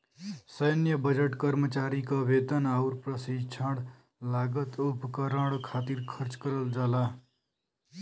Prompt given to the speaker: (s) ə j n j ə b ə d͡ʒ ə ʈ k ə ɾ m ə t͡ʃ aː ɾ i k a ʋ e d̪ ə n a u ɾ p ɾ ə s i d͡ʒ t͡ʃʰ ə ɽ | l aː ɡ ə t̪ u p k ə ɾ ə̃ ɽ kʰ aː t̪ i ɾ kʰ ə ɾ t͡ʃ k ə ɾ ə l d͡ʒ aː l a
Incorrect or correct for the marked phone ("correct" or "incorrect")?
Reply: correct